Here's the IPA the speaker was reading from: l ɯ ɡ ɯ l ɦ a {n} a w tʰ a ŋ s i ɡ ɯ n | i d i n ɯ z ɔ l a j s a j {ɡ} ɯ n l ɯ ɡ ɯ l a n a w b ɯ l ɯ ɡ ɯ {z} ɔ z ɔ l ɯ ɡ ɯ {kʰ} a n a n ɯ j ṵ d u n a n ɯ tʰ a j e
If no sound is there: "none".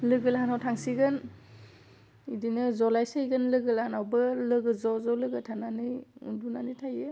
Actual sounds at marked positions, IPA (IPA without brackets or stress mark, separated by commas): n, ɡ, z, tʰ